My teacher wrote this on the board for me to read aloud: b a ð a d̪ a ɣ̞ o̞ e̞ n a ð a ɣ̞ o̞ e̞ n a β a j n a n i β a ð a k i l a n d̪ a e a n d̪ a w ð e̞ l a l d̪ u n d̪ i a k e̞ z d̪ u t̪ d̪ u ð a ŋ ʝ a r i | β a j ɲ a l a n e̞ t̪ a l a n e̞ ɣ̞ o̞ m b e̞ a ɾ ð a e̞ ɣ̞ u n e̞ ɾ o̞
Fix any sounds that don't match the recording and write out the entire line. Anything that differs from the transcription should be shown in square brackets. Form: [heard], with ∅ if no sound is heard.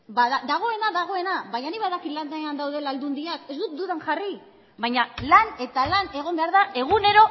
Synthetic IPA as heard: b a ð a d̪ a ɣ̞ o̞ e̞ n a ð a ɣ̞ o̞ e̞ n a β a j [ɲ] a n i β a ð a k i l a n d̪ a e a n d̪ a w ð e̞ l a l d̪ u n d̪ i a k e̞ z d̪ u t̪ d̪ u ð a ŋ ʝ a r i | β a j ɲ a l a n e̞ t̪ a l a n e̞ ɣ̞ o̞ m b e̞ a ɾ ð a e̞ ɣ̞ u n e̞ ɾ o̞

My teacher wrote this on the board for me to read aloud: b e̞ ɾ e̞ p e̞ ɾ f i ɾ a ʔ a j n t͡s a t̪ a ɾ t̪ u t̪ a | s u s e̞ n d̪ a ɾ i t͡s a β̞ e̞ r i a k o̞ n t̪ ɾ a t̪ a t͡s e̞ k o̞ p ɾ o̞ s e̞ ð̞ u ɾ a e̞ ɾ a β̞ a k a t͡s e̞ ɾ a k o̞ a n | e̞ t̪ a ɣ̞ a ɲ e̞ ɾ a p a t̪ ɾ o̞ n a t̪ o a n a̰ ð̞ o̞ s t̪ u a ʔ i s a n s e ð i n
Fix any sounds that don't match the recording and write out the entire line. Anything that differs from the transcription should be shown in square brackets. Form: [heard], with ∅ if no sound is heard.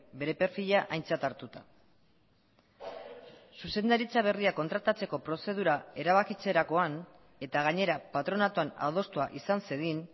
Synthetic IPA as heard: b e̞ ɾ e̞ p e̞ ɾ f i [ʎ] a ʔ a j n t͡s a t̪ a ɾ t̪ u t̪ a | s u s e̞ n d̪ a ɾ i t͡s a β̞ e̞ r i a k o̞ n t̪ ɾ a t̪ a t͡s e̞ k o̞ p ɾ o̞ s e̞ ð̞ u ɾ a e̞ ɾ a β̞ a k [i] t͡s e̞ ɾ a k o̞ a n | e̞ t̪ a ɣ̞ a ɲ e̞ ɾ a p a t̪ ɾ o̞ n a t̪ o a n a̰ ð̞ o̞ s t̪ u a ʔ i s a n s e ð i n

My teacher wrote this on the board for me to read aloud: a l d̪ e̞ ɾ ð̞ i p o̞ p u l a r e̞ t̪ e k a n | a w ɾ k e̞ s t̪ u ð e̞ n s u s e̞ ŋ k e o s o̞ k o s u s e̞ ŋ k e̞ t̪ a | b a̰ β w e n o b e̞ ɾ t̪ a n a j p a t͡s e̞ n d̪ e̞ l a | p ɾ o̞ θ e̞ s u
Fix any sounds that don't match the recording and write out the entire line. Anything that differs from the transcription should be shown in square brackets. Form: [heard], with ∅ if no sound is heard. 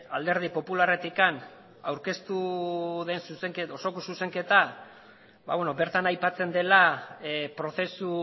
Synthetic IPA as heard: a l d̪ e̞ ɾ ð̞ i p o̞ p u l a r e̞ t̪ [i] k a n | a w ɾ k e̞ s t̪ u ð e̞ n s u s e̞ ŋ k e o s o̞ k o s u s e̞ ŋ k e̞ t̪ a | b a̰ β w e n o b e̞ ɾ t̪ a n a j p a t͡s e̞ n d̪ e̞ l a | p ɾ o̞ θ e̞ s u

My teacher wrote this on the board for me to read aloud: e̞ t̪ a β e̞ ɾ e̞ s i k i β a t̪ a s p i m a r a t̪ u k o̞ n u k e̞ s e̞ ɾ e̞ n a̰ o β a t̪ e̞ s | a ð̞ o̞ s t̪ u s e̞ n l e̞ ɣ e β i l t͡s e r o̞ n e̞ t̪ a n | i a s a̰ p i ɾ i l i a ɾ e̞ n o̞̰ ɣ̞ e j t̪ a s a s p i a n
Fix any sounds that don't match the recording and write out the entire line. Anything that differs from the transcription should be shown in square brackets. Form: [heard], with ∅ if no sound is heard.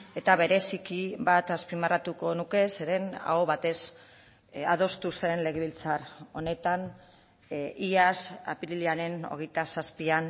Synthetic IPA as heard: e̞ t̪ a β e̞ ɾ e̞ s i k i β a t̪ a s p i m a r a t̪ u k o̞ n u k e̞ s e̞ ɾ e̞ n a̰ o β a t̪ e̞ s | a ð̞ o̞ s t̪ u s e̞ n l e̞ ɣ e β i l t͡s [a] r o̞ n e̞ t̪ a n | i a s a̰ p i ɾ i l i a ɾ e̞ n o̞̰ ɣ̞ e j t̪ a s a s p i a n

